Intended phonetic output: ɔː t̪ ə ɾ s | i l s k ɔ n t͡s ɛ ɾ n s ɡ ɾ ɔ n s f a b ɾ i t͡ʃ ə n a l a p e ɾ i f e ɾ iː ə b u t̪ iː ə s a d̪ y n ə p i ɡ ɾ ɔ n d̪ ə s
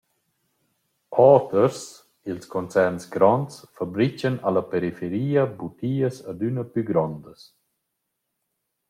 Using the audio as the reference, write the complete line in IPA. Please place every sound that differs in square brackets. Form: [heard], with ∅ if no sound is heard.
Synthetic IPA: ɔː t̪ ə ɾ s | i l s k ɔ n t͡s ɛ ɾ n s ɡ ɾ ɔ n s f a b ɾ i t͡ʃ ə n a l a p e ɾ i f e ɾ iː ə b u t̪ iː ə s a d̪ y n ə p [y] ɡ ɾ ɔ n d̪ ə s